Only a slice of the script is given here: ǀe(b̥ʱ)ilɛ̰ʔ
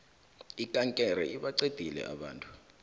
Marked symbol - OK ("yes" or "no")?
no